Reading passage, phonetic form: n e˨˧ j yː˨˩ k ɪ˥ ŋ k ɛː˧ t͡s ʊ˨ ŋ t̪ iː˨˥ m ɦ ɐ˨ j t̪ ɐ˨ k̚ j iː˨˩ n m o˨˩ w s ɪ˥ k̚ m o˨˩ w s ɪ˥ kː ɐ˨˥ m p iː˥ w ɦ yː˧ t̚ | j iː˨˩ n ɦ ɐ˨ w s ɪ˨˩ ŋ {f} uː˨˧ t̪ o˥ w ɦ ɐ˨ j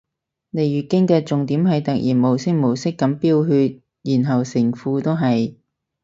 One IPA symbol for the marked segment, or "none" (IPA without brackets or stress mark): f